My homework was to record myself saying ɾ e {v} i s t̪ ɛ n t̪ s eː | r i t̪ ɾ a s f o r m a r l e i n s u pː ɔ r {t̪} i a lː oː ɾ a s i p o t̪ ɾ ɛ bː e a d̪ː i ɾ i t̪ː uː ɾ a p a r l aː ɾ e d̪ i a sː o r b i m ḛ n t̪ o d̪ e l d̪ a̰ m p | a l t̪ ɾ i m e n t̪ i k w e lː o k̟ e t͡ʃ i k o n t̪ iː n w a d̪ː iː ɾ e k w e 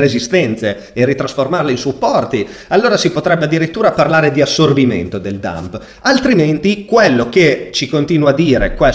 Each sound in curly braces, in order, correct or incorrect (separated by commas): incorrect, correct